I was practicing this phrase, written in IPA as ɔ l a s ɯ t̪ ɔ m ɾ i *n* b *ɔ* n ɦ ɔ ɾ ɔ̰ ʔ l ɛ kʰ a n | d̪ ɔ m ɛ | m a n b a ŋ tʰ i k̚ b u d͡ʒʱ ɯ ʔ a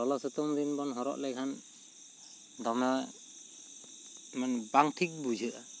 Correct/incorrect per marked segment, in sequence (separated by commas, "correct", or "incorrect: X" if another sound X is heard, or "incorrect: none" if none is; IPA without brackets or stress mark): correct, correct